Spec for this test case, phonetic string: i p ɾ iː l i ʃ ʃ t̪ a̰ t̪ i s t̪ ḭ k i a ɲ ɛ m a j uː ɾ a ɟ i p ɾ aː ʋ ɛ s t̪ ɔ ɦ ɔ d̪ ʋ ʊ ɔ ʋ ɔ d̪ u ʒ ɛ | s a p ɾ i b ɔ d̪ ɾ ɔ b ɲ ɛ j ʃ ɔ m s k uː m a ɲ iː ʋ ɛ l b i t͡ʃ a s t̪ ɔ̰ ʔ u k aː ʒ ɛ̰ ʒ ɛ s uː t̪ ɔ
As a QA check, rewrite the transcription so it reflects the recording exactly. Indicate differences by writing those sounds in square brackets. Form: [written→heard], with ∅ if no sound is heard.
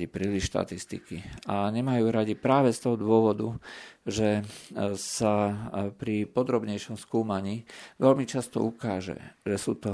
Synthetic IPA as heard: i p ɾ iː l i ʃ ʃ t̪ a̰ t̪ i s t̪ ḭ k i a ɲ ɛ m a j uː ɾ a ɟ i p ɾ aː ʋ ɛ s t̪ ɔ ɦ ɔ d̪ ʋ ʊ ɔ ʋ ɔ d̪ u ʒ ɛ | s a p ɾ i [b→p] ɔ d̪ ɾ ɔ b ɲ ɛ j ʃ ɔ m s k uː m a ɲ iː ʋ ɛ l [b→m] i t͡ʃ a s t̪ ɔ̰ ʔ u k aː ʒ ɛ̰ ʒ ɛ s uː t̪ ɔ